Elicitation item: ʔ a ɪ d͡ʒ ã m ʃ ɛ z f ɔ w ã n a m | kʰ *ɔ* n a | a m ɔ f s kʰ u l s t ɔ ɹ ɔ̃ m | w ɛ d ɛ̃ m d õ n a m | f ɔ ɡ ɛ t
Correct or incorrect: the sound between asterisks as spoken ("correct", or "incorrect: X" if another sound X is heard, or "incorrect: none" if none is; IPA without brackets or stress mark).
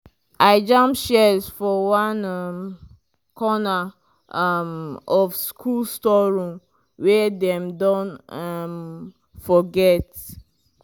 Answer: correct